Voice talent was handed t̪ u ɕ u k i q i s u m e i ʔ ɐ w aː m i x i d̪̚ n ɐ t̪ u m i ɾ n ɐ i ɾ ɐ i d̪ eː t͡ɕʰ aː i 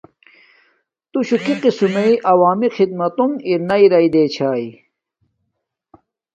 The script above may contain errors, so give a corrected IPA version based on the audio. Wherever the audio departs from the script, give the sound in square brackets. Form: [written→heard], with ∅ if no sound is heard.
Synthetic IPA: t̪ u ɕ u k i q i s u m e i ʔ ɐ w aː m i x i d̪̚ [n→m] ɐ t̪ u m i ɾ n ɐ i ɾ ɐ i d̪ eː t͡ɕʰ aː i